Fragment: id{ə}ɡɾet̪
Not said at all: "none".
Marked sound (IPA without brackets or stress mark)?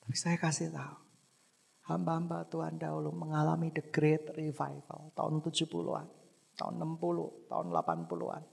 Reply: ə